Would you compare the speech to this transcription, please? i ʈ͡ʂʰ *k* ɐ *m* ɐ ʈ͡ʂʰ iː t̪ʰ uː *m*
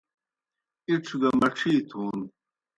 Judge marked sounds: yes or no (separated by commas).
no, yes, no